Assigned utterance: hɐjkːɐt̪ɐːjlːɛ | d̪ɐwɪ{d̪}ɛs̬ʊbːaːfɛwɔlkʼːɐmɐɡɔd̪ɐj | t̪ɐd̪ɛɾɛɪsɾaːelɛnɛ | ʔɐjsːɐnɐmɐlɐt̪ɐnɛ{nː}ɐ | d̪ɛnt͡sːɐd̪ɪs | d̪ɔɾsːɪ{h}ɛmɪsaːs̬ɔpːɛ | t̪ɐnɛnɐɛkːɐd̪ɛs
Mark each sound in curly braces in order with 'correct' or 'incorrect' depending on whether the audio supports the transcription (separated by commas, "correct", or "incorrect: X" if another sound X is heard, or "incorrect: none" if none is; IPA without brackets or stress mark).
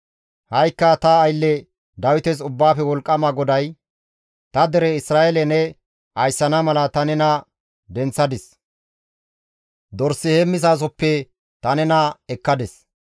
incorrect: t̪, incorrect: n, correct